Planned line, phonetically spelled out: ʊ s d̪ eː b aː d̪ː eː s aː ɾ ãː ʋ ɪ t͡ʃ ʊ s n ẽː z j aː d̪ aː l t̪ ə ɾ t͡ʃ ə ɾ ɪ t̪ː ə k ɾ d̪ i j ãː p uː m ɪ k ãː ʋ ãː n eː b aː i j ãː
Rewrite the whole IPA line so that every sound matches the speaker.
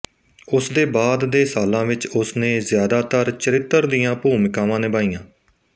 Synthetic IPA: ʊ s d̪ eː b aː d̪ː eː s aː l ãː ʋ ɪ t͡ʃ ʊ s n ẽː z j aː d̪ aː t̪ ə ɾ t͡ʃ ə ɾ ɪ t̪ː ə ɾ d̪ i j ãː p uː m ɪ k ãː ʋ ãː n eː b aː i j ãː